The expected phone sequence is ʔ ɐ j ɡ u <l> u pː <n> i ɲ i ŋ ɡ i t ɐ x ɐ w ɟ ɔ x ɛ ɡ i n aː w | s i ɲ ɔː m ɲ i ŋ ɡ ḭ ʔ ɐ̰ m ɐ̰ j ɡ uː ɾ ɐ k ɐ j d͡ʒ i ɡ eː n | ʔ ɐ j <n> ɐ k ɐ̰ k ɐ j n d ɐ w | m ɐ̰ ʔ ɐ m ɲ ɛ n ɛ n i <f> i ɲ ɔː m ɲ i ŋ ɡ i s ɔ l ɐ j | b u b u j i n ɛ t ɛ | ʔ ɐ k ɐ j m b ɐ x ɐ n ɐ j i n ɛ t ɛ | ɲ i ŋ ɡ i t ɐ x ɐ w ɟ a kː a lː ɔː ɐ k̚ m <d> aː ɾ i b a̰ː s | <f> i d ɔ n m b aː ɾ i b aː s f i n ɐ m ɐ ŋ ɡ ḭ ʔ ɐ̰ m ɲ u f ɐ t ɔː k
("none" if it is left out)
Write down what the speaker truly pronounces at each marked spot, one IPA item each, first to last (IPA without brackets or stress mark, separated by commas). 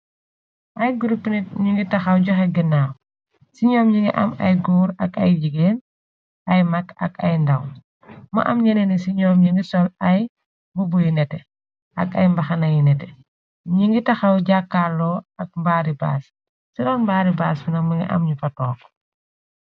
ɾ, n, m, s, b, s